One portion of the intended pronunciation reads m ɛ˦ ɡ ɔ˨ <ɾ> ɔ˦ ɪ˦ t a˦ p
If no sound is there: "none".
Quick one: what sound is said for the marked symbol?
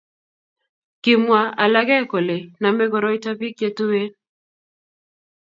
ɾ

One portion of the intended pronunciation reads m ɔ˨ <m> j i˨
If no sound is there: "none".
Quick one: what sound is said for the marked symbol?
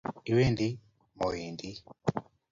none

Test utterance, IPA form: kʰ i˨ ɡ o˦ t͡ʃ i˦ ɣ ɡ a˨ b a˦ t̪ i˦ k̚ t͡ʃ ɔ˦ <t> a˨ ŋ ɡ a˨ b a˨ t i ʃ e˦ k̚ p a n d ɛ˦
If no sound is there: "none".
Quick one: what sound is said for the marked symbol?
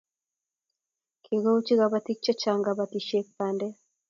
t͡ʃ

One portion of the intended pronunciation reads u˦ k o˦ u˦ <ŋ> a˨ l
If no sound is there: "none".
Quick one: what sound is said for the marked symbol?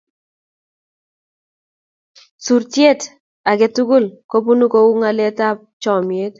ŋ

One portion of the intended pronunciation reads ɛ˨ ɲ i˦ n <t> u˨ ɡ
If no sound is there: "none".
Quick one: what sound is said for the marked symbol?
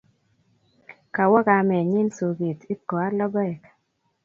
s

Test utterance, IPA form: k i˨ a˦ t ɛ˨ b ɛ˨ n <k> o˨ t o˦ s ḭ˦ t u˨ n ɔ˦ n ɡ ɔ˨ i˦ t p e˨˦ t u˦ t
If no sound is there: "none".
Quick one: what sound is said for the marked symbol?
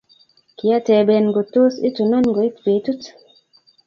ɡ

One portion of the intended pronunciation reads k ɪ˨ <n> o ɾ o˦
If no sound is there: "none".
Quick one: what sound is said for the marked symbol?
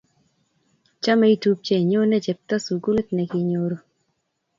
ɲ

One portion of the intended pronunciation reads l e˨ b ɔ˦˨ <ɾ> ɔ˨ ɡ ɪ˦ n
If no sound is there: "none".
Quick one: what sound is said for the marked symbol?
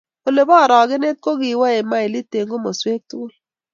ɾ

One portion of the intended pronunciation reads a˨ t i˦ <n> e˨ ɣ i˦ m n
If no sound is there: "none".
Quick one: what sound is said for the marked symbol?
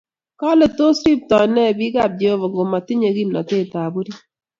ɲ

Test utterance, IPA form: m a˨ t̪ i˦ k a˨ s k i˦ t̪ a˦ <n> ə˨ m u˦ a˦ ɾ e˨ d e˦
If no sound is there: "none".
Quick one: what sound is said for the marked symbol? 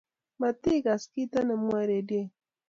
n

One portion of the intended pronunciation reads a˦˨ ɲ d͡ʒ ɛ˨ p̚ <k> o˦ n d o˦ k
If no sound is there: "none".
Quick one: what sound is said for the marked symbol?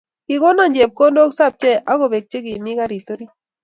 k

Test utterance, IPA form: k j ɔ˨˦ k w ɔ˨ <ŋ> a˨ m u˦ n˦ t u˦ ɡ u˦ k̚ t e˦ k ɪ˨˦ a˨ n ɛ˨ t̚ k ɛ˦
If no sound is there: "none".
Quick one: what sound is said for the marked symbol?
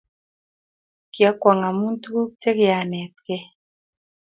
ŋ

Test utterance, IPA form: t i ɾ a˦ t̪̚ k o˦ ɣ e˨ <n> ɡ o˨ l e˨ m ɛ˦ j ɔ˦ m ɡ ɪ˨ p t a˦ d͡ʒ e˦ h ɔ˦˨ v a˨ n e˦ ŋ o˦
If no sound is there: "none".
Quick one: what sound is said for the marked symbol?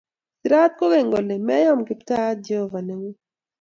ŋ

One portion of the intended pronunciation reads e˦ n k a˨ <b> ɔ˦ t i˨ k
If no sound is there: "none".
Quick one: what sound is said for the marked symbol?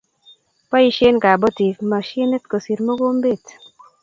b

